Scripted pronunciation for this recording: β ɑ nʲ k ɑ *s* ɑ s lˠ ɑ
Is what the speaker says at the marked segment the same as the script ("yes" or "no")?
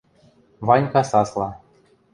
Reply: yes